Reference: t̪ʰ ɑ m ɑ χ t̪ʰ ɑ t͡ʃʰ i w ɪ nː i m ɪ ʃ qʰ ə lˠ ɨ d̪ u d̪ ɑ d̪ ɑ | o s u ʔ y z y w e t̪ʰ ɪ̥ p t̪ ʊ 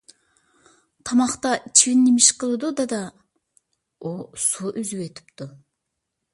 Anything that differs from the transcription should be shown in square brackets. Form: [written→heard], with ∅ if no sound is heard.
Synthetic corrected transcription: t̪ʰ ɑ m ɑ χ [t̪ʰ→t̪] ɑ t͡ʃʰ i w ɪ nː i m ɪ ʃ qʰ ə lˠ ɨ d̪ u d̪ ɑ d̪ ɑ | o s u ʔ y z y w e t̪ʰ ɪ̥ p t̪ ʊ